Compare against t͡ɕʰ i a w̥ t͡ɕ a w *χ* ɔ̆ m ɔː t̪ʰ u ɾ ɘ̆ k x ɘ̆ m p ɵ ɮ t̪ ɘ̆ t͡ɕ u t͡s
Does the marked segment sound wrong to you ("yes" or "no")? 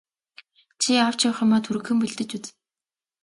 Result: no